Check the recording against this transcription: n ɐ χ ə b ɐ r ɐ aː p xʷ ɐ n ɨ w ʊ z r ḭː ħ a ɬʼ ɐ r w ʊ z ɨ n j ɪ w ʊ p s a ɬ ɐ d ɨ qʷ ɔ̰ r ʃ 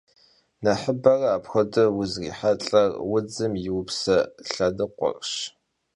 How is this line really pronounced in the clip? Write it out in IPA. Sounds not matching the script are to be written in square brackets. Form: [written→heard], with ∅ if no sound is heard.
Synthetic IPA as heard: n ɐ [χ→ħ] ə b ɐ r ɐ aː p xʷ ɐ [n→d] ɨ w ʊ z r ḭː ħ a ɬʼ ɐ r w ʊ [z→d͡z] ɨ [n→m] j ɪ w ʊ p s [a→ɐ] ɬ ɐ d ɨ qʷ ɔ̰ r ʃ